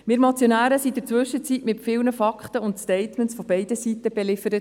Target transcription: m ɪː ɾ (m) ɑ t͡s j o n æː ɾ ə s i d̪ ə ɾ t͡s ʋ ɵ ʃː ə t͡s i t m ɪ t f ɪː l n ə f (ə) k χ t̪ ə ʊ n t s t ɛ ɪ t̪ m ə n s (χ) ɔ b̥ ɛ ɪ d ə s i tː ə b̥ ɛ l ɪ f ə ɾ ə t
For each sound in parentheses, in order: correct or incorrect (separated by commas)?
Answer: correct, incorrect, incorrect